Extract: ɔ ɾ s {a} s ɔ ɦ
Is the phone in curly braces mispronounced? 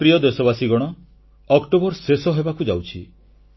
yes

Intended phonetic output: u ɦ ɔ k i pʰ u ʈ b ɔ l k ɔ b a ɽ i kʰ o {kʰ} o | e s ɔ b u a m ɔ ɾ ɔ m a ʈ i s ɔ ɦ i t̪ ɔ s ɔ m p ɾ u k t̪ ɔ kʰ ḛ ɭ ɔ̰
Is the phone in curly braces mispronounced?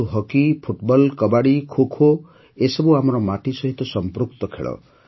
no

